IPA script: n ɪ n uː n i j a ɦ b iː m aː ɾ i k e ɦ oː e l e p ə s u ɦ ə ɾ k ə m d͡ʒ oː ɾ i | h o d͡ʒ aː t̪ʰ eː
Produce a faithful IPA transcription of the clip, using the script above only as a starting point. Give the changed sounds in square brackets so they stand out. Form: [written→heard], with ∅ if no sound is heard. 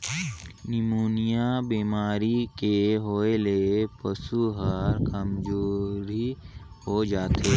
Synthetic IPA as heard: n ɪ [n→m] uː n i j a [ɦ→∅] b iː m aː ɾ i k e ɦ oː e l e p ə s u ɦ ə ɾ k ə m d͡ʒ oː ɾ i | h o d͡ʒ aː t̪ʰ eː